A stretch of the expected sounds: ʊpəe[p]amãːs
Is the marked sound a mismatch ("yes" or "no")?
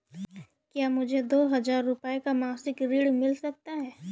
yes